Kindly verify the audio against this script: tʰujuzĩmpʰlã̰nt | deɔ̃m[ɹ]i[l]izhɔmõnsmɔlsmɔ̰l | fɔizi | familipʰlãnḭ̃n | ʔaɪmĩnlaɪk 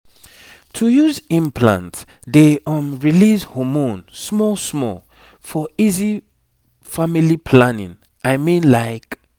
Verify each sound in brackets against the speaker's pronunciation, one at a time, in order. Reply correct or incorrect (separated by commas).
correct, correct